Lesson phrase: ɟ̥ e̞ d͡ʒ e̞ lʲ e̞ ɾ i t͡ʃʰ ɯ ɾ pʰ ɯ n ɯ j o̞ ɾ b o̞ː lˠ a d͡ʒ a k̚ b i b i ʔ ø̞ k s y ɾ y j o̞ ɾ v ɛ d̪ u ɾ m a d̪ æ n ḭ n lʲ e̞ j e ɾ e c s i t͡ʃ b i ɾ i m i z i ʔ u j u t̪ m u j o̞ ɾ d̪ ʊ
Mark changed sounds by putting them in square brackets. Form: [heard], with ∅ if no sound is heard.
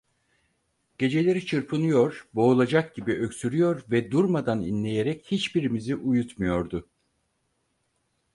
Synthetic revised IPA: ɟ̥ e̞ d͡ʒ e̞ lʲ e̞ ɾ i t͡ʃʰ ɯ ɾ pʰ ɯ n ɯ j o̞ ɾ b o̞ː lˠ a d͡ʒ a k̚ [ɟ] i b i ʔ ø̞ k s y ɾ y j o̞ ɾ v ɛ d̪ u ɾ m a d̪ [a] n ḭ n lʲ e̞ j e ɾ [ɛ] c [h] i t͡ʃ b i ɾ i m i z i ʔ u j u t̪ m u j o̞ ɾ d̪ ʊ